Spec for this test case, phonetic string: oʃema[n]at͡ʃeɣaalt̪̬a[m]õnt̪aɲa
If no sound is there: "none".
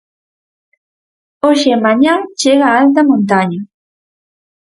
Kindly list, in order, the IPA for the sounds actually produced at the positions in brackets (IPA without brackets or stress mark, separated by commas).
ɲ, m